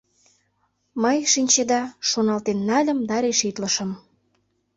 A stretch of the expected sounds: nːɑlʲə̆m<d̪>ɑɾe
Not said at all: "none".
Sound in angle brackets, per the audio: d̪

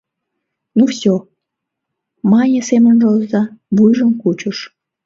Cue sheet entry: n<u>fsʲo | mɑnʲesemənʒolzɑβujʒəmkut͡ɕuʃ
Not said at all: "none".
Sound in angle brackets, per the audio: u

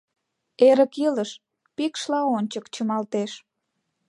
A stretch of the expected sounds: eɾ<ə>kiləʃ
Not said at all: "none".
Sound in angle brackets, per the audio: ə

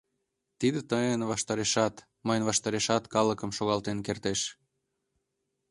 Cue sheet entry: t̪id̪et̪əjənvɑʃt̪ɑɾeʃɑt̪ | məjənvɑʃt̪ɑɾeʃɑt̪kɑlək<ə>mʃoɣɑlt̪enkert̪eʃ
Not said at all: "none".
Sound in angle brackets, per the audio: ə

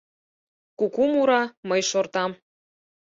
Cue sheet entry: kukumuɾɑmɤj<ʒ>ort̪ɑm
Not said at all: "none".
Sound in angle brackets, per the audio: ʃ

